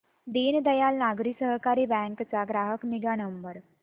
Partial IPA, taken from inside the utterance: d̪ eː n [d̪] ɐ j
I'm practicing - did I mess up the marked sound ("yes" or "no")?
no